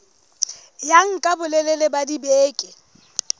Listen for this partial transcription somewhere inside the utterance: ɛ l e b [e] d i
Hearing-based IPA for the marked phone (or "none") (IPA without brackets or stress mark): a